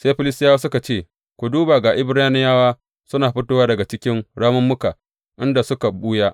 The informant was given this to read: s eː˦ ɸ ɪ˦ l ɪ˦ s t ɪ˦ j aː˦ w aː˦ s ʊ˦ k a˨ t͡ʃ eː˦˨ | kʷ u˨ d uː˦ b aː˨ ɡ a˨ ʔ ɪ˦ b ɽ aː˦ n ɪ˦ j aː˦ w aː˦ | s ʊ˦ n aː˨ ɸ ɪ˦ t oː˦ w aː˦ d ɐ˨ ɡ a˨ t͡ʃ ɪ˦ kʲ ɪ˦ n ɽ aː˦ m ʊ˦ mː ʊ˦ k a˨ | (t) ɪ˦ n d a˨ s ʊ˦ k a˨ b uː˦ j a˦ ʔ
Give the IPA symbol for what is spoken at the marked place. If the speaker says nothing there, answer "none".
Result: ʔ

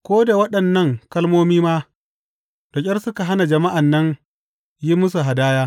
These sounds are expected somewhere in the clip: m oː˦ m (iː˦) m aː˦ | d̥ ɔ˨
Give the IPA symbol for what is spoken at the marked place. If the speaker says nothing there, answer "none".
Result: iː˦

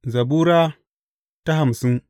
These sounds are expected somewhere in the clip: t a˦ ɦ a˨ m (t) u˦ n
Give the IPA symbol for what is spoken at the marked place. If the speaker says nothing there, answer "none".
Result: s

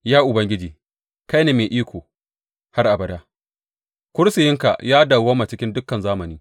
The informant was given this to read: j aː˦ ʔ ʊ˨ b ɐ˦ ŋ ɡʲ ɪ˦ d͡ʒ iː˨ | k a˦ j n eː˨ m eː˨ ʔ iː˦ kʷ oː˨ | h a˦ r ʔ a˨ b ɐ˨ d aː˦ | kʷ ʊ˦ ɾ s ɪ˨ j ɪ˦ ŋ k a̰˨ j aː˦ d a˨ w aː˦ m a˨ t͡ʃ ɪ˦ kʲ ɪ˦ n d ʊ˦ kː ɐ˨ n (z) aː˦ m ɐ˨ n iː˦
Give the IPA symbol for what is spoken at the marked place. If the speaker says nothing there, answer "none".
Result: z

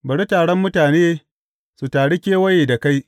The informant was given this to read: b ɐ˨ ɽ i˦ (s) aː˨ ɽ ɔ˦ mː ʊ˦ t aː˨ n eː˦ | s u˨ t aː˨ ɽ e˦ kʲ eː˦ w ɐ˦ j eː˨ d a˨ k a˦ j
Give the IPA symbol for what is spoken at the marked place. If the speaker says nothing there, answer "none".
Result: t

